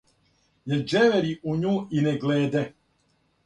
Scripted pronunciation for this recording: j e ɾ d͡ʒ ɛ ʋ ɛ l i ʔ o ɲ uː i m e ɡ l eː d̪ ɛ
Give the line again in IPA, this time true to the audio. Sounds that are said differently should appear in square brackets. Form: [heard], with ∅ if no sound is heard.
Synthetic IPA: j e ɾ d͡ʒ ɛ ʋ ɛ [ɾ] i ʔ [u] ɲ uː i [n] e ɡ l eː d̪ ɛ